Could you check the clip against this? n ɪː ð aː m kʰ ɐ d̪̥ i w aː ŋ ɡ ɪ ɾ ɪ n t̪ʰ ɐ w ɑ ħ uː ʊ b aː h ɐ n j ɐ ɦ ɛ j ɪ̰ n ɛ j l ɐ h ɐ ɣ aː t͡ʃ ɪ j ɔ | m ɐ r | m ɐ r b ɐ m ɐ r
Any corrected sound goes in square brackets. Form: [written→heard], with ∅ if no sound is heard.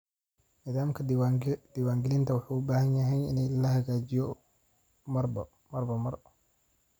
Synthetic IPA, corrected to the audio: n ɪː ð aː m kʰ ɐ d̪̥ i w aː ŋ ɡ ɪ [ɾ→l] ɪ n t̪ʰ ɐ w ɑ ħ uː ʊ b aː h ɐ n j ɐ ɦ ɛ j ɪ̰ n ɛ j l ɐ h ɐ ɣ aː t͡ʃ ɪ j ɔ | m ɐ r | m ɐ r b ɐ m ɐ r